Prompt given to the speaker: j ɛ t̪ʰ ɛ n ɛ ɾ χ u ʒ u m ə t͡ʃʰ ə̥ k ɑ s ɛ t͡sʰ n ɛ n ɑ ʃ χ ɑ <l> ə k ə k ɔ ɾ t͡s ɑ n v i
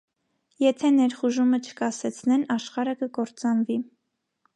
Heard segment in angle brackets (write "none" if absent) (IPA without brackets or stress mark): ɾ